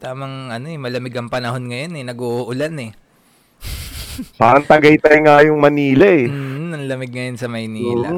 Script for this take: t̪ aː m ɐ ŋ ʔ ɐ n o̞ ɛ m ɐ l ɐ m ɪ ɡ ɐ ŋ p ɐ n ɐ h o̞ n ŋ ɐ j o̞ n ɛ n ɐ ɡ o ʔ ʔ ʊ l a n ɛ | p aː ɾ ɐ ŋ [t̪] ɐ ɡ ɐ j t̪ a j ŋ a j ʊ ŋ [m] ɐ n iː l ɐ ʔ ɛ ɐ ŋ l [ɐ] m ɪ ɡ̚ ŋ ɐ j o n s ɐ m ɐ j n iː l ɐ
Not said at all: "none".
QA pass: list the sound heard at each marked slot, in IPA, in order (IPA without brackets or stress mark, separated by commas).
t̪, m, ɐ